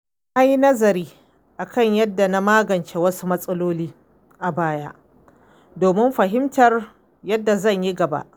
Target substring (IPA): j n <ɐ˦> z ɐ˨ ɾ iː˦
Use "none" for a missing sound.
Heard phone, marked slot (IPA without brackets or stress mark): ɐ˦